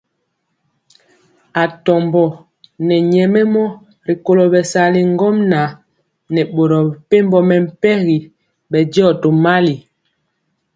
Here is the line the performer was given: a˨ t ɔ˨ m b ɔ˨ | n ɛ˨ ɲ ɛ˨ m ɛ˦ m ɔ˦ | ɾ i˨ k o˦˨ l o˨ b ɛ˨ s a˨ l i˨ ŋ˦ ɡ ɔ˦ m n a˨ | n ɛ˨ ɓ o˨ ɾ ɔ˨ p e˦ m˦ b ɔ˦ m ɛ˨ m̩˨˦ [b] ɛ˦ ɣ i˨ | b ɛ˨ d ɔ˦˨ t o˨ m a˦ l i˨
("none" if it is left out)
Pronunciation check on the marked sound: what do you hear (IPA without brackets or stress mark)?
p